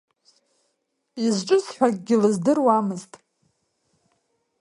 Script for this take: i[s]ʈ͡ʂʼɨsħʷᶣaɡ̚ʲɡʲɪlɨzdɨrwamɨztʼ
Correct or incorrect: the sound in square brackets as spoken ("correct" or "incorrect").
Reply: incorrect